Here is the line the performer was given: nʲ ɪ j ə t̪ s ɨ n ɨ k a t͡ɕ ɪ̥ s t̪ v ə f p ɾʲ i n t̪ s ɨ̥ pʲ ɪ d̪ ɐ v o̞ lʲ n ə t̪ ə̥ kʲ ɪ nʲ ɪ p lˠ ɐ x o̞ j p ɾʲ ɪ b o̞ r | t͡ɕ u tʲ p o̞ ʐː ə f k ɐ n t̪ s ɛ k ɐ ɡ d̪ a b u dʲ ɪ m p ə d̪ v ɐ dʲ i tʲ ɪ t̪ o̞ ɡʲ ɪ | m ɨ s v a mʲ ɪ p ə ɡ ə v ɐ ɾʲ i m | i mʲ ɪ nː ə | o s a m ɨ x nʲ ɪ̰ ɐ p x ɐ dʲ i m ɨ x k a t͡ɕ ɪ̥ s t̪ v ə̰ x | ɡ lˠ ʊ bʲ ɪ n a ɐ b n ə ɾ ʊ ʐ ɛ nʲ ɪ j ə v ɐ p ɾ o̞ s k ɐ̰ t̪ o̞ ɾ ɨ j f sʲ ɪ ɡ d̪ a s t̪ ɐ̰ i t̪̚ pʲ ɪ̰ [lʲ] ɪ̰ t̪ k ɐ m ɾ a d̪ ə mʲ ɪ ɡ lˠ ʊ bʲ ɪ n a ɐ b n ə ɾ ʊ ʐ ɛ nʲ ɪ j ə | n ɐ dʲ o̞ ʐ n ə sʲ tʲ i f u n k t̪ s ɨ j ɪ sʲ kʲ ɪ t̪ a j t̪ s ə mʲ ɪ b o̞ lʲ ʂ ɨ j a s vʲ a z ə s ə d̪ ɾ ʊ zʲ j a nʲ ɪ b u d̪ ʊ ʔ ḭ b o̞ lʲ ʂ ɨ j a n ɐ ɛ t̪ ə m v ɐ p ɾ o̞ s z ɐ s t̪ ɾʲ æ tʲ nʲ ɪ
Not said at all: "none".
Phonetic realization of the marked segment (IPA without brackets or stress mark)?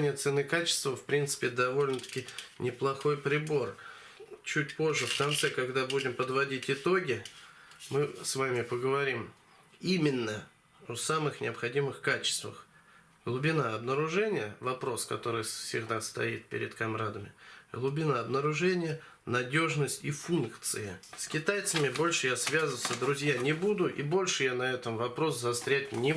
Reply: ɾʲ